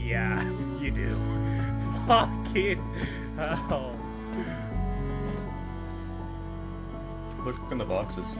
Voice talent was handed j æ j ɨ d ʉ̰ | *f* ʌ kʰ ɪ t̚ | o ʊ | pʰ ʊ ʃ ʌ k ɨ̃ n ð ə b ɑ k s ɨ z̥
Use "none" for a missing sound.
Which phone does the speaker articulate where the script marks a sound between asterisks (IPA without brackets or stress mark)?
f